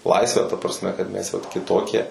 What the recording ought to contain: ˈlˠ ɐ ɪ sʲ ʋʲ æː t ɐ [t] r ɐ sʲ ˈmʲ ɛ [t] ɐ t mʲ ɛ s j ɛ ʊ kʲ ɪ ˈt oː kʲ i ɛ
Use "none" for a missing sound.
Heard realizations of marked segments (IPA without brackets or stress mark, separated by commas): p, k